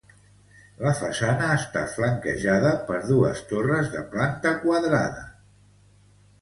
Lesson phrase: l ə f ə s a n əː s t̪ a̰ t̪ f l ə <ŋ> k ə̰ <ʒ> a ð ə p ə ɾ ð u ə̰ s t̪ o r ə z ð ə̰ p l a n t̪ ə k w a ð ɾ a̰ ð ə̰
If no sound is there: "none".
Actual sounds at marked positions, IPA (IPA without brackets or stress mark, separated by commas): ŋ, ʒ